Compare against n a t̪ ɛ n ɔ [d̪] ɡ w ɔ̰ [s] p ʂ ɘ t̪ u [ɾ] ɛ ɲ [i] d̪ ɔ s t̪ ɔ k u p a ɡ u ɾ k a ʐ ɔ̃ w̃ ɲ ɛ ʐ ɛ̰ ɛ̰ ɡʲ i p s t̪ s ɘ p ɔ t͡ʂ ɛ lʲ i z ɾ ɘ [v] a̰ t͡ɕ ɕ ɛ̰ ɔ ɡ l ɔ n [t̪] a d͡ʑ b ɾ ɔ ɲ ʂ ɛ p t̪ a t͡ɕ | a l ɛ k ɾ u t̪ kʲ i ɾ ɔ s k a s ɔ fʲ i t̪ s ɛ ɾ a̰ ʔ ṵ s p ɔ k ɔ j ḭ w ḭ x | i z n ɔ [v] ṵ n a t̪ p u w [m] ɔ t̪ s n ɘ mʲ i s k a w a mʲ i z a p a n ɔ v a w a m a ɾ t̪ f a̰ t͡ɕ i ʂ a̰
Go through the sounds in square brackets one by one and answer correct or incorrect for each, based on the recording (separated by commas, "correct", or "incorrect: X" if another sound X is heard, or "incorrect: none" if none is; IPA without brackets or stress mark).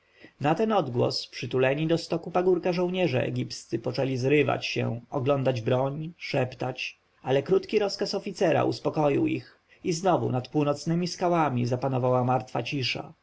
correct, correct, incorrect: l, correct, correct, incorrect: d̪, correct, incorrect: n